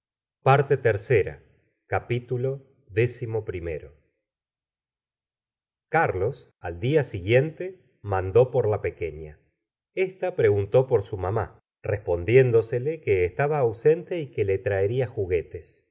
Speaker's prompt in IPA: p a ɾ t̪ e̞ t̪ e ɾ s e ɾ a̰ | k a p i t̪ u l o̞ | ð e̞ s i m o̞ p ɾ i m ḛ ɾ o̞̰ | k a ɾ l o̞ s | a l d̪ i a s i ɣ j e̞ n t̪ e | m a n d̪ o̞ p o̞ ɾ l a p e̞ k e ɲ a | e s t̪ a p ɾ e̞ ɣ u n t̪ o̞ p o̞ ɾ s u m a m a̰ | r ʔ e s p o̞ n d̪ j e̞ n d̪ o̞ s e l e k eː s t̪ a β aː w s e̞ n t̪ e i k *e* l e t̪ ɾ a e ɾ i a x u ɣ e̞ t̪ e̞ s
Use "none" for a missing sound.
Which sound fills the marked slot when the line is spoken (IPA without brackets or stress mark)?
e